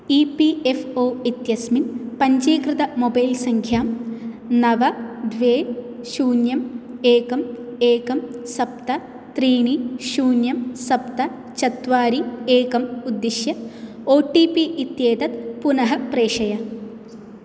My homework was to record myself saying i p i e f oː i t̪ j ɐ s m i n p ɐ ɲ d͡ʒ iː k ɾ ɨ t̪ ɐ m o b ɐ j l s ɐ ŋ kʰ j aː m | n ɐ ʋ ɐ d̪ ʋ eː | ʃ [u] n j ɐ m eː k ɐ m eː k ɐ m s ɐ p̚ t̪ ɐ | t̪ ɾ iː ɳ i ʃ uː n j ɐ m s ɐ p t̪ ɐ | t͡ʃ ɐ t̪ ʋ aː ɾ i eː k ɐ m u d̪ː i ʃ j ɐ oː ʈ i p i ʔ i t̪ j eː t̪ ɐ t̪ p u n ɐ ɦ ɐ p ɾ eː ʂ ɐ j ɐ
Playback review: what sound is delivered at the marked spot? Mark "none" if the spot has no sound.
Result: uː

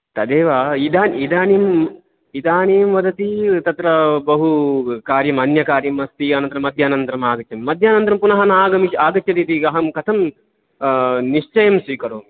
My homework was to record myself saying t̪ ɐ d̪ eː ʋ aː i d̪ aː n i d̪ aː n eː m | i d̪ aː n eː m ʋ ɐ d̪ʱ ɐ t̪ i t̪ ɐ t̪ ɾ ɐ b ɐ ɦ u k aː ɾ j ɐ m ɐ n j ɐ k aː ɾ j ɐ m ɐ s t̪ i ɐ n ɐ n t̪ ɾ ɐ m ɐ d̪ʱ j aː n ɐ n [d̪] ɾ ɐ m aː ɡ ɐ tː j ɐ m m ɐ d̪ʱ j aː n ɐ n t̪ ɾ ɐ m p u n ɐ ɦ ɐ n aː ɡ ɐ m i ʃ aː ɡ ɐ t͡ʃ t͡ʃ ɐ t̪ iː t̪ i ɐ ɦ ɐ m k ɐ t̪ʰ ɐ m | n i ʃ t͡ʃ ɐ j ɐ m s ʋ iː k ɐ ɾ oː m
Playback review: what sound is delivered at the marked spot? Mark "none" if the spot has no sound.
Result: t̪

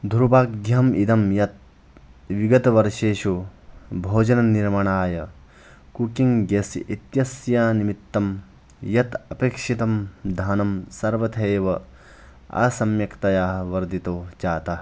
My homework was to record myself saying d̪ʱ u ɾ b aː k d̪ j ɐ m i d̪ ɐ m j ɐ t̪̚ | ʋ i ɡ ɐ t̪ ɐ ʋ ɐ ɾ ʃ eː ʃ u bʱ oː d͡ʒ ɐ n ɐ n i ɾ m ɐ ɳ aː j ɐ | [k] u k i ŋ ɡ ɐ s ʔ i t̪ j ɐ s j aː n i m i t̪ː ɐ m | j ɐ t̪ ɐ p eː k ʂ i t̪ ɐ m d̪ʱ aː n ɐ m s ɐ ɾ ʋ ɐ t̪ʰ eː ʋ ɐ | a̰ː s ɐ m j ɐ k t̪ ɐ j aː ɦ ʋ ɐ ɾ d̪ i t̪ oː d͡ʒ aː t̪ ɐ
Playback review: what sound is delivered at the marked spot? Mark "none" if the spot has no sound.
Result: k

